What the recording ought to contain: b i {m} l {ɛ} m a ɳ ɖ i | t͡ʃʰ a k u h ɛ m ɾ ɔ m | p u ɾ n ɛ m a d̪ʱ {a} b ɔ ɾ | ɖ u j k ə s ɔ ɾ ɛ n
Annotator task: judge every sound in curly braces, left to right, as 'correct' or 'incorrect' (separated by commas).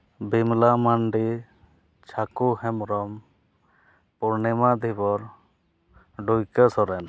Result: correct, incorrect, incorrect